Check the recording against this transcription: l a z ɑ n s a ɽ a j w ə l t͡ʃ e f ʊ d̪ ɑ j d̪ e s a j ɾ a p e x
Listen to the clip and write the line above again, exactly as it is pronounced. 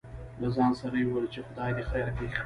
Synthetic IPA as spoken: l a z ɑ n s a ɾ a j w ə l t͡ʃ e x ʊ d̪ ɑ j d̪ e x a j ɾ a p e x